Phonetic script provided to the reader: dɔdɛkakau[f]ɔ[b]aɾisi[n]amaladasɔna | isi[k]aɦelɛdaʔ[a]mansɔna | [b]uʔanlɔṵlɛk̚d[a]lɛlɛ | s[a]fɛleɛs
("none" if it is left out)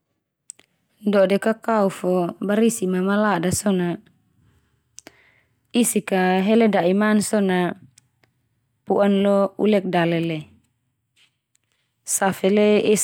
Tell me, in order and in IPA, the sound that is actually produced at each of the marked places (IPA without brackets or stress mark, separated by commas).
f, b, m, k, i, p, a, a